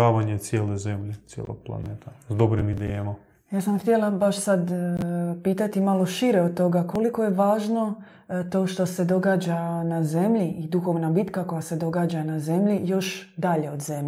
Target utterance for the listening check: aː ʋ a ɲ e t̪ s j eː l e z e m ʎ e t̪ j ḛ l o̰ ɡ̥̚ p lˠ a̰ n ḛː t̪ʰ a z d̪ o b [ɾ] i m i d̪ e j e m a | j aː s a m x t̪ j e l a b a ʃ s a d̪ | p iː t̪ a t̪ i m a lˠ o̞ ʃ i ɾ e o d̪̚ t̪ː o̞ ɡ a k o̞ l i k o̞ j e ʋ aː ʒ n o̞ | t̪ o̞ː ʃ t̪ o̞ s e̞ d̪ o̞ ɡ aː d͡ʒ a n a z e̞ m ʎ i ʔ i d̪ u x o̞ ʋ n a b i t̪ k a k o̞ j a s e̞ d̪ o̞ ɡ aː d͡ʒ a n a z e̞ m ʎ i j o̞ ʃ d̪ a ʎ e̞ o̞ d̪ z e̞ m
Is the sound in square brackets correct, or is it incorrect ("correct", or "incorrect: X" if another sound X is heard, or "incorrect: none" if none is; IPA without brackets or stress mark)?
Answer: correct